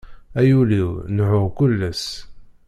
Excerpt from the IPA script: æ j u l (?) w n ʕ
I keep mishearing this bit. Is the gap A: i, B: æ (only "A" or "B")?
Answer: A